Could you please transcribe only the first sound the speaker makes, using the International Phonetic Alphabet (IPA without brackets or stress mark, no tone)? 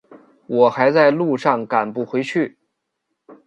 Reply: w